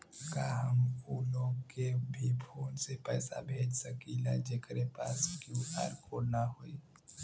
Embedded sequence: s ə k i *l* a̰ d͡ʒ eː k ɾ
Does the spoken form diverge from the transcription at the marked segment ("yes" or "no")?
no